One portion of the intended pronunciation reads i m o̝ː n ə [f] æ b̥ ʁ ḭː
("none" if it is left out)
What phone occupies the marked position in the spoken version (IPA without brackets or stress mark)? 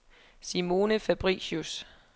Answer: f